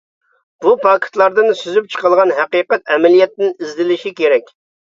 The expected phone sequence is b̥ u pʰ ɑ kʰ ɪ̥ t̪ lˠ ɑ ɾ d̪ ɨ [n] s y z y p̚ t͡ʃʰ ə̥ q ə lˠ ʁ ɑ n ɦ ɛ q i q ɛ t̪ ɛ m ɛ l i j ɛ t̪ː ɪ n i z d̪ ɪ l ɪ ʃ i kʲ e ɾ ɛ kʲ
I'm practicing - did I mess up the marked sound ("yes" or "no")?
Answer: no